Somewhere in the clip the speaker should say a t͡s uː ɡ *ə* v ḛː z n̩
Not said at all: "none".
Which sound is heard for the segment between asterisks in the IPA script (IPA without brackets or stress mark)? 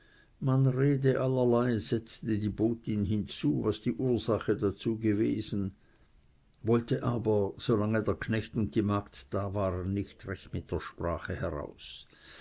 ə